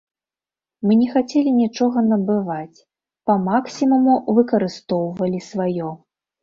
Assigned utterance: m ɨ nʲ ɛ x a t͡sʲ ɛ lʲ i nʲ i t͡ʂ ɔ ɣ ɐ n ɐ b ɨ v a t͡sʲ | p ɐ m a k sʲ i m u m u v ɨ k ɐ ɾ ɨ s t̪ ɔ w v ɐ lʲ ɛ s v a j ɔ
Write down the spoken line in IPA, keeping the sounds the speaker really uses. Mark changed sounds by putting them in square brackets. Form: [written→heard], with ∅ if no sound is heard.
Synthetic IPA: m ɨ nʲ ɛ x a t͡sʲ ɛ lʲ i nʲ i t͡ʂ ɔ ɣ ɐ n ɐ b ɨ v a t͡sʲ | p ɐ m a k sʲ i m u m u v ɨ k ɐ ɾ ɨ s t̪ ɔ w v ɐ lʲ [ɛ→i] s v a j ɔ